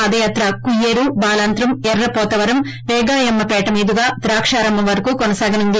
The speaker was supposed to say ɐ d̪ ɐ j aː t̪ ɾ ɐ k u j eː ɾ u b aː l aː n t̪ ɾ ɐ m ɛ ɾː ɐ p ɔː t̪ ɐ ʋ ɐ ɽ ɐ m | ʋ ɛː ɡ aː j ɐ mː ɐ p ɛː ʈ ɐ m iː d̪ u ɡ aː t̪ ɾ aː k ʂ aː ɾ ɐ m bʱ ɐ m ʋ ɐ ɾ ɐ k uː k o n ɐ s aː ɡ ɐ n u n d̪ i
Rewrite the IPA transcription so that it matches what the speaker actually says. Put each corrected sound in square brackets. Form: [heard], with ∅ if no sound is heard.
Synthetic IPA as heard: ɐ d̪ ɐ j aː t̪ ɾ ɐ k u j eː ɾ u b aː l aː n t̪ ɾ ɐ m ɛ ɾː ɐ p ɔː t̪ ɐ ʋ ɐ [ɾ] ɐ m | ʋ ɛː ɡ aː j ɐ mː ɐ p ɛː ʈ ɐ m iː d̪ u ɡ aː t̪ ɾ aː k ʂ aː ɾ ɐ m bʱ ɐ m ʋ ɐ ɾ ɐ k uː k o n ɐ s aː ɡ ɐ n u n d̪ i